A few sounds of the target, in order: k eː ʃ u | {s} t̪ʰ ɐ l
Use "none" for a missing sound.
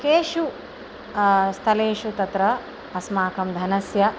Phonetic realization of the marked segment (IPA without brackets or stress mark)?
s